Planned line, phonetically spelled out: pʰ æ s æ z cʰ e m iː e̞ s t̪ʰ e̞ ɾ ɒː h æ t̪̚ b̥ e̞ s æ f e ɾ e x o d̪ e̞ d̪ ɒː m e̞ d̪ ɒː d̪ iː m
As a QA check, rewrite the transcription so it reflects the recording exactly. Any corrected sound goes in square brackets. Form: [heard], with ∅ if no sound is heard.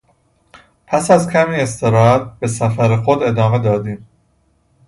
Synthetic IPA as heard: pʰ æ s æ z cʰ [æ] m iː e̞ s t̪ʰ e̞ ɾ ɒː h æ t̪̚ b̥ e̞ s æ f [æ] ɾ e x o d̪ e̞ d̪ ɒː m e̞ d̪ ɒː d̪ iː m